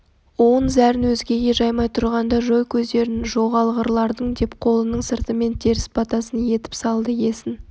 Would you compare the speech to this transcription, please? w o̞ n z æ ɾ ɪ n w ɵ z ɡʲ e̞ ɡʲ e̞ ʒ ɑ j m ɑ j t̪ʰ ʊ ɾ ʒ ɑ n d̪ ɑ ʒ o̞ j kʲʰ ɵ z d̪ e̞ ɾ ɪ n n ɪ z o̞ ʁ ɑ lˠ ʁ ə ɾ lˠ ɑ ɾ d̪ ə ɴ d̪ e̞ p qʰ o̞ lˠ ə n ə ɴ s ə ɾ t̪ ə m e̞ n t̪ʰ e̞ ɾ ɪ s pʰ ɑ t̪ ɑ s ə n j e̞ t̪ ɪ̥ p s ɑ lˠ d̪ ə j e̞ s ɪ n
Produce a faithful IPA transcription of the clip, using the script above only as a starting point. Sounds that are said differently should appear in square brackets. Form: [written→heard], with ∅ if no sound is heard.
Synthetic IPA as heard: w o̞ n z æ ɾ ɪ n w ɵ z ɡʲ e̞ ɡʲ e̞ ʒ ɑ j m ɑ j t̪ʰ ʊ ɾ [ʒ→ʁ] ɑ n d̪ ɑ ʒ o̞ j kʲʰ ɵ z d̪ e̞ ɾ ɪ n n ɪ [z→ʒ] o̞ ʁ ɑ lˠ ʁ ə ɾ lˠ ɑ ɾ d̪ ə ɴ d̪ e̞ p qʰ o̞ lˠ ə n ə ɴ s ə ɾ t̪ ə m e̞ n t̪ʰ e̞ ɾ ɪ s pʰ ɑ t̪ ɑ s ə n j e̞ t̪ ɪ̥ p s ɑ lˠ d̪ ə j e̞ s ɪ n

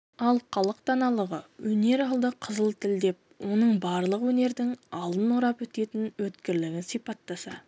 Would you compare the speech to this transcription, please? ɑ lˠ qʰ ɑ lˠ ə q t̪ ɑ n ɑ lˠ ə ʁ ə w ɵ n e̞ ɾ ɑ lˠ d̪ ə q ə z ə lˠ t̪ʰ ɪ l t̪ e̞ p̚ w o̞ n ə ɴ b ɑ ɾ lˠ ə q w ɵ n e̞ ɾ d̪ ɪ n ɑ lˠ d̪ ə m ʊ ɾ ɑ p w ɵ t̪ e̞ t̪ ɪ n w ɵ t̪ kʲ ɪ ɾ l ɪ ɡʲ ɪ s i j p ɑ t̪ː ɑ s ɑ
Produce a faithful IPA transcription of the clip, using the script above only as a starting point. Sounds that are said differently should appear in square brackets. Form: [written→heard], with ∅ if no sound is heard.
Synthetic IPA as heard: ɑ lˠ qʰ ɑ lˠ ə q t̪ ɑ n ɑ lˠ ə ʁ ə w ɵ n e̞ ɾ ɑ lˠ d̪ ə [q→qʰ] ə z ə lˠ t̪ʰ ɪ l [t̪→d̪] e̞ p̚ w o̞ n ə ɴ b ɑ ɾ lˠ ə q w ɵ n e̞ ɾ d̪ ɪ [n→ŋ] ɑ lˠ d̪ ə [m→n] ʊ ɾ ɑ p w ɵ t̪ e̞ t̪ ɪ n w ɵ t̪ kʲ ɪ ɾ l ɪ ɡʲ ɪ s i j p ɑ t̪ː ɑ s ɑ

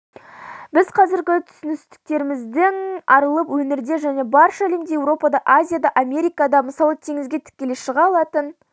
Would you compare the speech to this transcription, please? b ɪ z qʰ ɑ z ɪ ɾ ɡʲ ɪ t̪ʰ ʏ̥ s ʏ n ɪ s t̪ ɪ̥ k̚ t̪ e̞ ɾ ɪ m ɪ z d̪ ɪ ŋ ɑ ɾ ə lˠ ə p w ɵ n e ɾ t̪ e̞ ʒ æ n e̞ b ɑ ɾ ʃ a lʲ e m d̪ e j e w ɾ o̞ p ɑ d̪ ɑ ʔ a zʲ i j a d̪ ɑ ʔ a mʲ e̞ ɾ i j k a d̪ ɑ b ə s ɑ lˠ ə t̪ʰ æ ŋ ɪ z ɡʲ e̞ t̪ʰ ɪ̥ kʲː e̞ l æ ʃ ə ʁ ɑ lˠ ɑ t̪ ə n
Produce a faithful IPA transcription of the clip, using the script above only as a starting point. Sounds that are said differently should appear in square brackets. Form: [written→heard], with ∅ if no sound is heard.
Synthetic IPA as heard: b ɪ z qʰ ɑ z ɪ ɾ ɡʲ ɪ t̪ʰ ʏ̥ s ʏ n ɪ s t̪ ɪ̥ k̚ t̪ e̞ ɾ ɪ m ɪ z d̪ ɪ ŋ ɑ ɾ ə lˠ ə p w ɵ n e ɾ [t̪→d̪] e̞ ʒ æ n e̞ b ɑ ɾ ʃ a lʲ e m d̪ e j e w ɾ o̞ p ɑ d̪ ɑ ʔ a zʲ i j a d̪ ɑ ʔ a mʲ e̞ ɾ i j k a d̪ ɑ [b→m] ə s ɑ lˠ ə t̪ʰ [æ→e] ŋ ɪ z ɡʲ e̞ t̪ʰ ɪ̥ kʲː e̞ l [æ→e] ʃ ə ʁ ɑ lˠ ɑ t̪ ə n

